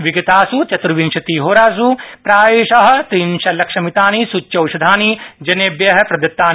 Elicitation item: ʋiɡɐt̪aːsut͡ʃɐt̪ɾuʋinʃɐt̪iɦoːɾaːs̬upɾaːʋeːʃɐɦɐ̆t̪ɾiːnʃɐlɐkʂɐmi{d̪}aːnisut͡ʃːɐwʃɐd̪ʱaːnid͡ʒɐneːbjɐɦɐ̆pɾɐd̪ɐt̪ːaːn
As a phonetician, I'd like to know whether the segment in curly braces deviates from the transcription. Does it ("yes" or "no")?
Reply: yes